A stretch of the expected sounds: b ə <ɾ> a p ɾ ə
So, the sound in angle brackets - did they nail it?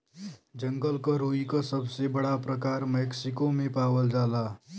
no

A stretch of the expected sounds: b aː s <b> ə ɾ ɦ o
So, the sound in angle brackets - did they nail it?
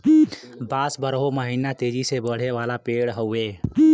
yes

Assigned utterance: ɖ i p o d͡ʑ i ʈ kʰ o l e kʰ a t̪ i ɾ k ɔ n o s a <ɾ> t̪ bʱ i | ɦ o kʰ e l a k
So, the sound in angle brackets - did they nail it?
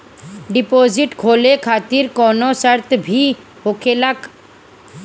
yes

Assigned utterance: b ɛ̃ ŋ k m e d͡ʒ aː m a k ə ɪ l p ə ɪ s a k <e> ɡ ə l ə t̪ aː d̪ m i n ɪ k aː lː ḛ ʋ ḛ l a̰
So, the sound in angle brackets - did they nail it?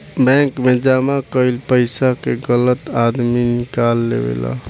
yes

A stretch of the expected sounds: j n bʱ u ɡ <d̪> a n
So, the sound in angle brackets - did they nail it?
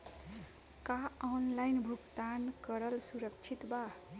no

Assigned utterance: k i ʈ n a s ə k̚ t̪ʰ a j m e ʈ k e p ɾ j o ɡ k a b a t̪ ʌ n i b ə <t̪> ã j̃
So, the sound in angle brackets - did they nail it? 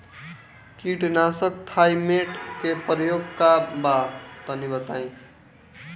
yes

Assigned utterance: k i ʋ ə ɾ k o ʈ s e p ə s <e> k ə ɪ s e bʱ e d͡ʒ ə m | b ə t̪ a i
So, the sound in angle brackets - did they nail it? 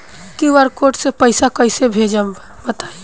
no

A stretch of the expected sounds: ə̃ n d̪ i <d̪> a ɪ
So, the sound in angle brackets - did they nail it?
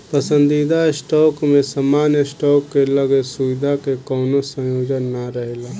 yes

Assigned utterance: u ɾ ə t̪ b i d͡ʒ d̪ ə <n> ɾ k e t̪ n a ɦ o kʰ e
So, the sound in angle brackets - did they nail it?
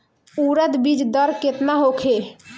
no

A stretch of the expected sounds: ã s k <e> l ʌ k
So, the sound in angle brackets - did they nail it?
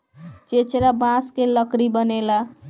yes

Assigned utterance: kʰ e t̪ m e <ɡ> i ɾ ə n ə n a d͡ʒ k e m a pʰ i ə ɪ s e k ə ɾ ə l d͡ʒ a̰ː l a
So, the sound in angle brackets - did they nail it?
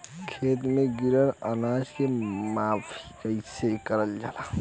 yes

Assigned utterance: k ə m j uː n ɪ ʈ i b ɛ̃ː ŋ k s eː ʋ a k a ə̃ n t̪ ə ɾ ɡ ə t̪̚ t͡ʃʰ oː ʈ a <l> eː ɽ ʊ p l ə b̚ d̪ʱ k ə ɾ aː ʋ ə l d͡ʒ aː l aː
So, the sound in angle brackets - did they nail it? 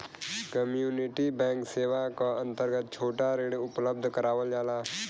no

